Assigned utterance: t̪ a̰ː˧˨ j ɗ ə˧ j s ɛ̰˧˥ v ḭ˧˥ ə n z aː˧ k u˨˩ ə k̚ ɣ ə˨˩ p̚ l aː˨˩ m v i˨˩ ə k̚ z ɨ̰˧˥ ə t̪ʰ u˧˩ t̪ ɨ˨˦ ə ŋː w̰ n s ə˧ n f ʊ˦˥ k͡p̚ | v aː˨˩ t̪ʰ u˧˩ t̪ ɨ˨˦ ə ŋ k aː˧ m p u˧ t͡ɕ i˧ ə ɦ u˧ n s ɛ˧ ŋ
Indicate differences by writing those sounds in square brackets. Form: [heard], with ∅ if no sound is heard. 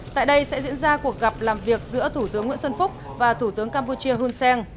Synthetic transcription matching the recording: t̪ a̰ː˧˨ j ɗ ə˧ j s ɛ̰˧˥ [z] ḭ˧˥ ə n z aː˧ k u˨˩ ə k̚ ɣ [a˨˩] p̚ l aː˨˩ m v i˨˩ ə k̚ z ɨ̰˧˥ ə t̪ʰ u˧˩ t̪ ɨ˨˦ ə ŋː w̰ n s ə˧ n f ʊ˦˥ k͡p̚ | v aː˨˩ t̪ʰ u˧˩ t̪ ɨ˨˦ ə ŋ k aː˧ m p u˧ t͡ɕ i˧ ə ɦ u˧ n s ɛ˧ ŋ